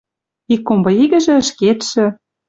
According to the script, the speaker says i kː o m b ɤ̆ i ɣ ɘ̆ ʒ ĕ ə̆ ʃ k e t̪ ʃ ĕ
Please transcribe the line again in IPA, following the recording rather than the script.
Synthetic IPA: i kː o m b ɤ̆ i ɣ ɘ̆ ʒ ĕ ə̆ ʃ k e t̪ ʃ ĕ